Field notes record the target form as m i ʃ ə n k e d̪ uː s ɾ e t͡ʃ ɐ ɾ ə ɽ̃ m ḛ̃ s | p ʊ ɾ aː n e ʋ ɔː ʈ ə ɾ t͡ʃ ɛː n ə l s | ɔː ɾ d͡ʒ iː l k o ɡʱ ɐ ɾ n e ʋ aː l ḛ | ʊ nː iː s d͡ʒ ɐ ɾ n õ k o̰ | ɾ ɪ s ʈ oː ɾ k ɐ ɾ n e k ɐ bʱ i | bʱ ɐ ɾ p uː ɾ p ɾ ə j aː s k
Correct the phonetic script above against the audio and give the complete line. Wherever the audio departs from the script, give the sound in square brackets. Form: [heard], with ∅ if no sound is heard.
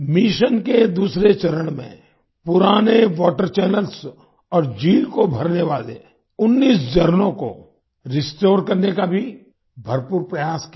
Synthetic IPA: m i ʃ ə n k e d̪ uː s ɾ e t͡ʃ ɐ ɾ ə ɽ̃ m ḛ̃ [∅] | p ʊ ɾ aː n e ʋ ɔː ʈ ə ɾ t͡ʃ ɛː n ə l s | ɔː ɾ d͡ʒ iː l k o [bʱ] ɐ ɾ n e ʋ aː l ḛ | ʊ nː iː s d͡ʒ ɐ ɾ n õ k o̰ | ɾ ɪ s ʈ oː ɾ k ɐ ɾ n e k [a] bʱ i | bʱ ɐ ɾ p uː ɾ p ɾ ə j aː s k

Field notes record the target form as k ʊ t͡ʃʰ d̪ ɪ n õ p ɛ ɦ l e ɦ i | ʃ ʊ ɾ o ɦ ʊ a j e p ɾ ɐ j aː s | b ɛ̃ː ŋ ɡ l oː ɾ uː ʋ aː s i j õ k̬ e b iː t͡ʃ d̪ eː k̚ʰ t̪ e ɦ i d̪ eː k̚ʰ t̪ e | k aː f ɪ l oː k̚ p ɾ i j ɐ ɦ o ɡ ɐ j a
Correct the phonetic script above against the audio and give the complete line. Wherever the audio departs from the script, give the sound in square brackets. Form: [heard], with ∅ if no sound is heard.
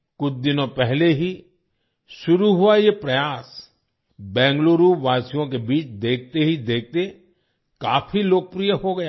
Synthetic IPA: k ʊ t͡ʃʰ d̪ ɪ n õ p ɛ ɦ l e ɦ i | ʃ ʊ ɾ [u] ɦ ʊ a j e p ɾ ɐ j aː s | b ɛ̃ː ŋ ɡ l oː ɾ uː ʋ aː s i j õ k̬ e b iː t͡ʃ d̪ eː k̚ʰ t̪ e ɦ i d̪ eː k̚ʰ t̪ e | k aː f [i] l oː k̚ p ɾ i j [ə] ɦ o ɡ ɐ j a

